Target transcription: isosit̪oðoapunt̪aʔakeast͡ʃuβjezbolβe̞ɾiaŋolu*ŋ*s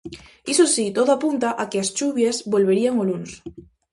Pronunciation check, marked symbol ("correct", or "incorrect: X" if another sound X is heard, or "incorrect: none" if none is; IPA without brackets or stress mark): incorrect: n